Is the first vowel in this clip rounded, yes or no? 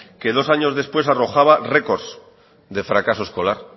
no